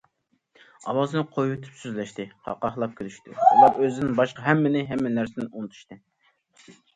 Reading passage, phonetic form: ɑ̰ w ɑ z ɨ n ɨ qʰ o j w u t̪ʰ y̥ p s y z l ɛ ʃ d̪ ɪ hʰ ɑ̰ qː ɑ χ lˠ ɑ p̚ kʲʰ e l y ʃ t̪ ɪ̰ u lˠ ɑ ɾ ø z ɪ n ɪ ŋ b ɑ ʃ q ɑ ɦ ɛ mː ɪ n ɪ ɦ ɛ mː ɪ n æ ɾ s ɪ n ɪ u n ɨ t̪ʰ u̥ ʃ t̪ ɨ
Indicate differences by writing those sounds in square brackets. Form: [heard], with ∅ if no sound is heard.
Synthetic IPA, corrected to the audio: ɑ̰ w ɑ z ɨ n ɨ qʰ o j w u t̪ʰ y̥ p s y z l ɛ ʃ [t̪] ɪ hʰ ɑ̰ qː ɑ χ lˠ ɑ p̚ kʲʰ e l y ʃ t̪ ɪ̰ u lˠ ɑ ɾ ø z ɪ n ɪ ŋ b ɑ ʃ q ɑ ɦ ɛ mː ɪ n ɪ ɦ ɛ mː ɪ n æ ɾ s ɪ n ɪ u n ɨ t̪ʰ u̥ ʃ t̪ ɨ